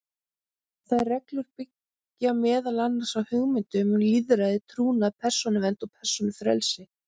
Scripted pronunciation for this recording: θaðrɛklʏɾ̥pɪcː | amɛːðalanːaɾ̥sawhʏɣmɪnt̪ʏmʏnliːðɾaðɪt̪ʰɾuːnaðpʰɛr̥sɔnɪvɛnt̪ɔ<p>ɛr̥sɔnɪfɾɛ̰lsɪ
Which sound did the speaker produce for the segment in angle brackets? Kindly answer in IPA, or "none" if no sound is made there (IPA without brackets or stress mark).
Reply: pʰ